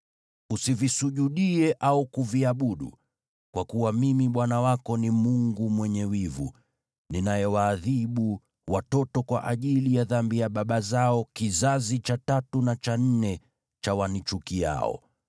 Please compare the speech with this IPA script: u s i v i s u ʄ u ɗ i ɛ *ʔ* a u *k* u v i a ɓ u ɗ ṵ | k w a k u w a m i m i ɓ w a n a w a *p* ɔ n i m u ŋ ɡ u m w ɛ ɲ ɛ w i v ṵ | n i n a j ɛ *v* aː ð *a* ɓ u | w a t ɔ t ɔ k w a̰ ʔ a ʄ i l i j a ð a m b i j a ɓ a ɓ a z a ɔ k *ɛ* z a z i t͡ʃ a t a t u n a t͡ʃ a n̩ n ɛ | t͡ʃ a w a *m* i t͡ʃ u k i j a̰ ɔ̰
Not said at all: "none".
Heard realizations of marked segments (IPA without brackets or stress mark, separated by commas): ʔ, k, k, w, i, i, n